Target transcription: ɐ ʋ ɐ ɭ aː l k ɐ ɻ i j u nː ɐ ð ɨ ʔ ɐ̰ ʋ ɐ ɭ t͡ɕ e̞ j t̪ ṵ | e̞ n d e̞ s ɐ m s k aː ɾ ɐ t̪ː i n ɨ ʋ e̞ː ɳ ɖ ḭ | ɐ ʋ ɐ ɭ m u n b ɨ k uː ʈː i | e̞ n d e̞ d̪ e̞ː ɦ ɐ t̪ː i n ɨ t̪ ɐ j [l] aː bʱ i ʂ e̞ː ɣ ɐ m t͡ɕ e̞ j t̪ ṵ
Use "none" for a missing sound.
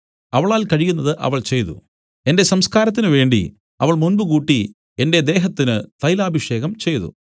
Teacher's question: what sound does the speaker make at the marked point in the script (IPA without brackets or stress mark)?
l